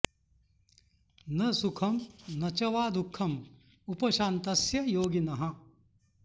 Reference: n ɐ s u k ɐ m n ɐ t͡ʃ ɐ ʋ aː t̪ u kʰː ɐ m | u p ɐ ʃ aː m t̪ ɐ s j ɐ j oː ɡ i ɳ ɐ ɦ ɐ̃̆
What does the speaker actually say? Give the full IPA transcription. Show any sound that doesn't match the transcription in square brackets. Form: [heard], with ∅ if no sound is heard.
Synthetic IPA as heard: n ɐ s u [kʰ] ɐ m n ɐ t͡ʃ ɐ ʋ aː [d̪] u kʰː ɐ m | u p ɐ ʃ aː [n] t̪ ɐ s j ɐ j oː ɡ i [n] ɐ ɦ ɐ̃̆